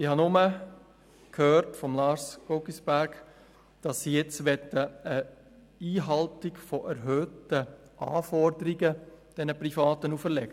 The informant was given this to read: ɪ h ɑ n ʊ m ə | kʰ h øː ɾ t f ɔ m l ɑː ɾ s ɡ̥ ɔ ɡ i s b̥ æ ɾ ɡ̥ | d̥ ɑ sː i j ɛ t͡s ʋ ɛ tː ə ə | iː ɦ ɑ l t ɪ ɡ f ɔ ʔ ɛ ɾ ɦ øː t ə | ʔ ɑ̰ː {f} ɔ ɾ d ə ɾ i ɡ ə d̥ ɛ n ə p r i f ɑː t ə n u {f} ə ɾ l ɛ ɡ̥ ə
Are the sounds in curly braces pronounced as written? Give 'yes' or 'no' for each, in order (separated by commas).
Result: yes, yes